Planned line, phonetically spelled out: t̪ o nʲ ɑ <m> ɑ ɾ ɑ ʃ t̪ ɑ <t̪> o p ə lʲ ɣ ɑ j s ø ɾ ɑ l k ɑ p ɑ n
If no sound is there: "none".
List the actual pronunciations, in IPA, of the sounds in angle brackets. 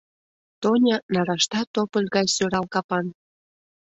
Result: n, t̪

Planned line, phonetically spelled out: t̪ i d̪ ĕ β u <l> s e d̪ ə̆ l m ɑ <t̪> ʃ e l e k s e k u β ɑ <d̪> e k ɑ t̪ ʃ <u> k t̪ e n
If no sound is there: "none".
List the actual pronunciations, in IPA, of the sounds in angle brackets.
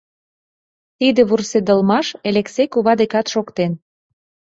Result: r, none, d̪, o

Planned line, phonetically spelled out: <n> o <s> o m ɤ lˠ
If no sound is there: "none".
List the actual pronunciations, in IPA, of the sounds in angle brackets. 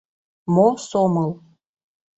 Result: m, s

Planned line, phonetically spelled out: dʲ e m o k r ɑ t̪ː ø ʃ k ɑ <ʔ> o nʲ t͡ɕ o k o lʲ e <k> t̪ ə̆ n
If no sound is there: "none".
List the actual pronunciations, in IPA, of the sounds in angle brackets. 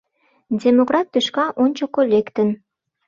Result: ʔ, k

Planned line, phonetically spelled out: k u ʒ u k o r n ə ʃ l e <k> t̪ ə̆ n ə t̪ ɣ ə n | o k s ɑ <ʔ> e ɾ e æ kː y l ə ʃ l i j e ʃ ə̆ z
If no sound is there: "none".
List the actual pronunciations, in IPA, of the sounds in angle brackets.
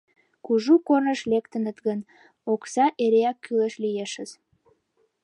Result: k, ʔ

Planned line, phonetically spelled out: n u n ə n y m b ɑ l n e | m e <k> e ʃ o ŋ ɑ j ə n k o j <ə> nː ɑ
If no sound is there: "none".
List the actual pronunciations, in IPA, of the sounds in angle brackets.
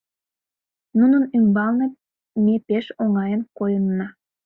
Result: p, ə

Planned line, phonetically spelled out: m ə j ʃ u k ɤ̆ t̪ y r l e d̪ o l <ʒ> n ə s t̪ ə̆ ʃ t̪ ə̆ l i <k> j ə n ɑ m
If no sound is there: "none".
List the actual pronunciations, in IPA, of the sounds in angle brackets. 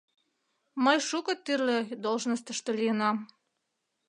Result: ʒ, none

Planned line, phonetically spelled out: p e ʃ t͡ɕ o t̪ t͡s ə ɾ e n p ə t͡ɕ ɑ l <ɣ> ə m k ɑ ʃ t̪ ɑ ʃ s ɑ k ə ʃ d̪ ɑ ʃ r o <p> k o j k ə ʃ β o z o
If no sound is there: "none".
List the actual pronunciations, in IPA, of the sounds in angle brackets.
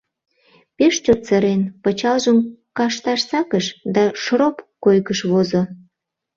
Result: ʒ, p

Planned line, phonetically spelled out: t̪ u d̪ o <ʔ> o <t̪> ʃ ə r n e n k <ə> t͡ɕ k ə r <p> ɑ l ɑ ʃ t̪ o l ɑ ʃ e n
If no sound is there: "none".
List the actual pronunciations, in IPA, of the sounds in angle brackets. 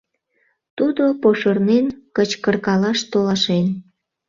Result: p, none, ə, k

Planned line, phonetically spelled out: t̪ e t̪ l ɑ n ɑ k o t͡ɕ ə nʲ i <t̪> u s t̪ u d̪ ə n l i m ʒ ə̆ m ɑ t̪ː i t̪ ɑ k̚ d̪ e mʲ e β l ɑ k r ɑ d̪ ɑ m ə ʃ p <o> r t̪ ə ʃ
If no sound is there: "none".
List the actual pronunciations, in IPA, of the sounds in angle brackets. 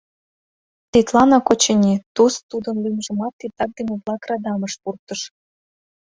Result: t̪, u

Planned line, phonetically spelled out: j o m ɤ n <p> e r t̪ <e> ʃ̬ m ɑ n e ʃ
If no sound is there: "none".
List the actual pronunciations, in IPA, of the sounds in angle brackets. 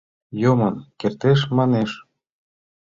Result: k, e

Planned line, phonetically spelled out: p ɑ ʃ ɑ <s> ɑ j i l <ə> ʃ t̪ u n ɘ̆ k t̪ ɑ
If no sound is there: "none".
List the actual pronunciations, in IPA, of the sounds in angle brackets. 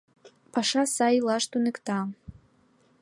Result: s, ɑ

